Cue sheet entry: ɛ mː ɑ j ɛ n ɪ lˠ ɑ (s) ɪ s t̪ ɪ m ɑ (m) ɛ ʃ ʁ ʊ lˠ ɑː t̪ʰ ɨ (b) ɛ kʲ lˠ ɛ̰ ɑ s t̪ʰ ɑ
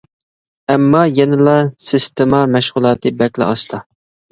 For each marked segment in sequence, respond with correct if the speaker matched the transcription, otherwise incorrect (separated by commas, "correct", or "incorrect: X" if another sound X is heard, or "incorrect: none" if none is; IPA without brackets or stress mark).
correct, correct, correct